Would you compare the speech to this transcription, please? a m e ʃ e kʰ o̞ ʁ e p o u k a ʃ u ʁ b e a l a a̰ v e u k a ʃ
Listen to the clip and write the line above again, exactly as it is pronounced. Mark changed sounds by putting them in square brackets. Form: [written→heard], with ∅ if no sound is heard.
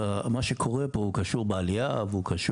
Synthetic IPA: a m [e→a] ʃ e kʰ o̞ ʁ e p o u k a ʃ u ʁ b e a l [a→i] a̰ v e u k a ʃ